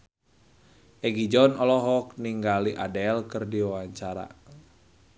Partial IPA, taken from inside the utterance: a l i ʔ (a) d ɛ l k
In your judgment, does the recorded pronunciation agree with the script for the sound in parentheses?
yes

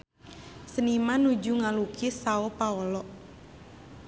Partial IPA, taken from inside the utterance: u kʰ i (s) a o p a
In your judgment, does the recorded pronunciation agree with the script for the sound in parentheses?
yes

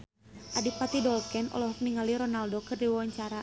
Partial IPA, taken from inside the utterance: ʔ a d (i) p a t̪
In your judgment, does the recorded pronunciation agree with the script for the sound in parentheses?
yes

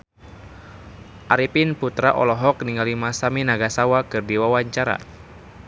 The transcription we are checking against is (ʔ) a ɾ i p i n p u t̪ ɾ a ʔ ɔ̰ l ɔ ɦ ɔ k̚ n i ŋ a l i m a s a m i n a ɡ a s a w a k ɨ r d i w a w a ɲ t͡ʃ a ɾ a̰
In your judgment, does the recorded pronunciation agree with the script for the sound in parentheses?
yes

